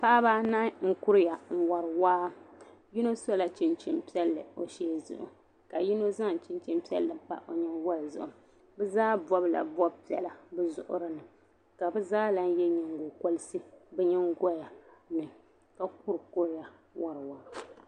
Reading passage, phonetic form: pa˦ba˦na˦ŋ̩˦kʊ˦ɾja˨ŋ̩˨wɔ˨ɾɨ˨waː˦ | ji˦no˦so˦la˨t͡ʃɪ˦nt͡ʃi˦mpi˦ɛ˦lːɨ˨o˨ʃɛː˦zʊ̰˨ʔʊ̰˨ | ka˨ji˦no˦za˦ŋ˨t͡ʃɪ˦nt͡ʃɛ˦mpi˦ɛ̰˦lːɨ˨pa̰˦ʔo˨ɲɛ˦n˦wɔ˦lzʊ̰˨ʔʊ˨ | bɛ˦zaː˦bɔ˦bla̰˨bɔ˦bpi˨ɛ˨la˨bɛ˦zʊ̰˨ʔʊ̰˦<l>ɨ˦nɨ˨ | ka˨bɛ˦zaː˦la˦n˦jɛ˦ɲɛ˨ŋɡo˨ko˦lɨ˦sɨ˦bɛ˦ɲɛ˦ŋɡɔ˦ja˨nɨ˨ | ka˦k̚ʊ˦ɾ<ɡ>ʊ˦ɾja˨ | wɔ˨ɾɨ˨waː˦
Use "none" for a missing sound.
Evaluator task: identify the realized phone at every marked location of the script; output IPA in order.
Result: ɾ, k

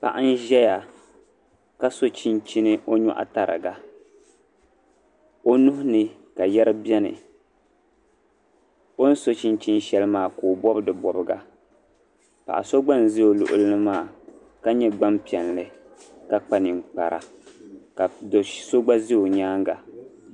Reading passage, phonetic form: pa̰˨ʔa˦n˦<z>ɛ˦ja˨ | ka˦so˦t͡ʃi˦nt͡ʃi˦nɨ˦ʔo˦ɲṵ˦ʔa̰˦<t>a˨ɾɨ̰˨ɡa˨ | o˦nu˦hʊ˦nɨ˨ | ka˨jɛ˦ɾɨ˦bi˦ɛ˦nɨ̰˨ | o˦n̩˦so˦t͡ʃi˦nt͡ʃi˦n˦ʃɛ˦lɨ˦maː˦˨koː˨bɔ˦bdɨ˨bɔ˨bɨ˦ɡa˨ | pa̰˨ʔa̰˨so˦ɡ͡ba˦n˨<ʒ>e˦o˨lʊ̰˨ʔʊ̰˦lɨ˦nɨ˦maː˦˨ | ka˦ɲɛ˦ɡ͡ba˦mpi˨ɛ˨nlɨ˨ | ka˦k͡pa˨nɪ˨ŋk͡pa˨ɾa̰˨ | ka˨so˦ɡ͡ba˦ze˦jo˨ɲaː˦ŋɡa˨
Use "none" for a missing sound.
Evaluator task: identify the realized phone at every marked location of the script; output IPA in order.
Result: ʒ, t, z

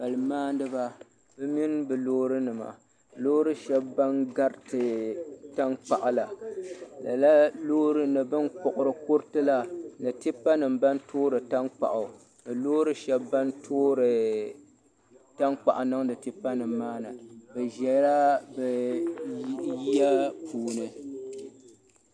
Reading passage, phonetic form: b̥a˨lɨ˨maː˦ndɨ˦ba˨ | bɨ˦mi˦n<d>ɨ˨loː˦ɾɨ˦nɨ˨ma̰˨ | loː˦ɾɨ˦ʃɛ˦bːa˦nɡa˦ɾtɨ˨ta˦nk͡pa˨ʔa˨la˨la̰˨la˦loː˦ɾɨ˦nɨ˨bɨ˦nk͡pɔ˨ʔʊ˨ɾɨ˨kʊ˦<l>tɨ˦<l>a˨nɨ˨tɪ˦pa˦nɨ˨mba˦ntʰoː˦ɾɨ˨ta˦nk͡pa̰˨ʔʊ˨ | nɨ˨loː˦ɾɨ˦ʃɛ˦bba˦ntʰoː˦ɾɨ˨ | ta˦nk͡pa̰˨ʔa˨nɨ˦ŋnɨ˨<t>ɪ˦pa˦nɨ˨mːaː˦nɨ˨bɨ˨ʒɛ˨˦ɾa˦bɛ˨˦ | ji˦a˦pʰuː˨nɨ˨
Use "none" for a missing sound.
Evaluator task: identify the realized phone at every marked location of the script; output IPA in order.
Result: b, ɾ, l, t

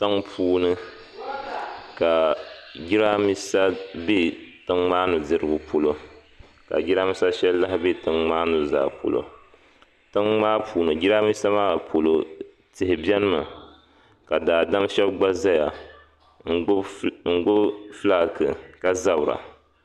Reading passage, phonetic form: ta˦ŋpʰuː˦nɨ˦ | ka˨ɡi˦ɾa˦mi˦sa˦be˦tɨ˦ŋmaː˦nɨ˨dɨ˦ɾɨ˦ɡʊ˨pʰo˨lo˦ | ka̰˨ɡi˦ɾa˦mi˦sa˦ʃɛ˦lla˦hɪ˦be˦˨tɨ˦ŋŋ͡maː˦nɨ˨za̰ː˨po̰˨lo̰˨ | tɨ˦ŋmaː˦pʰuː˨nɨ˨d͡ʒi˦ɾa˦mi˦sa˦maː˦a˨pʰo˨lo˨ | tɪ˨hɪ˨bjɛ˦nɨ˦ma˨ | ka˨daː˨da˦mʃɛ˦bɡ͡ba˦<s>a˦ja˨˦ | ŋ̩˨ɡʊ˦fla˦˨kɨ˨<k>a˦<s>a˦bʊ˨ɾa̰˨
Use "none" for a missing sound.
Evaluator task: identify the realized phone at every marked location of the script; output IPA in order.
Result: z, k, z

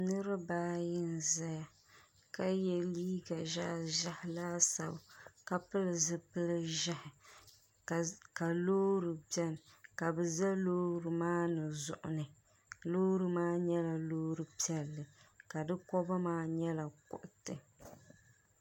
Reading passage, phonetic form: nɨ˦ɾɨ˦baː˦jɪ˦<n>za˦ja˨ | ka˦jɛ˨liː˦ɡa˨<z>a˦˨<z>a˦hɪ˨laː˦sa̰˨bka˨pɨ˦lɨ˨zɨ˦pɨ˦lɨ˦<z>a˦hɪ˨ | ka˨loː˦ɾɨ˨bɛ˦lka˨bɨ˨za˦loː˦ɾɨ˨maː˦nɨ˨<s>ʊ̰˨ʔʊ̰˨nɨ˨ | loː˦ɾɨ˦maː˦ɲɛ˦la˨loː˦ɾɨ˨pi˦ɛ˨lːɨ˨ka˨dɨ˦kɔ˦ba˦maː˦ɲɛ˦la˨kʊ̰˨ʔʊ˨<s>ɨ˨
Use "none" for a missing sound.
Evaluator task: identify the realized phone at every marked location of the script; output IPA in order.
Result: n, ʒ, ʒ, ʒ, z, t

